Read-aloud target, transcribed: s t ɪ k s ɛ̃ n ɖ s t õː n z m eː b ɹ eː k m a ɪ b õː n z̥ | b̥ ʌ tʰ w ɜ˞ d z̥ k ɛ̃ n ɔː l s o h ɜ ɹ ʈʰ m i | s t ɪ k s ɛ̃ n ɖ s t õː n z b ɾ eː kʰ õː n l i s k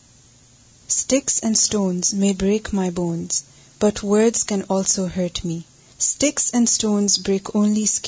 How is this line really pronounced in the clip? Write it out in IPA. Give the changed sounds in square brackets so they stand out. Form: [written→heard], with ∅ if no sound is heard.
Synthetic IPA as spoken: s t ɪ k s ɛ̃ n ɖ s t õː n z m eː b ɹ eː k m a ɪ b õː n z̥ | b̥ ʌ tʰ w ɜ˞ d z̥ k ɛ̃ n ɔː l s o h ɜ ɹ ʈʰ m i | s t ɪ k s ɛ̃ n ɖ s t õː n z b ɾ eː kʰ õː n l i s k